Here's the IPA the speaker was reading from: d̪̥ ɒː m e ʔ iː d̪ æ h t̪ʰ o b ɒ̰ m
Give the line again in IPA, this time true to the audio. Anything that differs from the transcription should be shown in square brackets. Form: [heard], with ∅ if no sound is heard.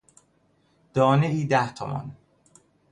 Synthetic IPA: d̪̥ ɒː [n] e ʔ iː d̪ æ h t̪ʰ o [m] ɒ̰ [n]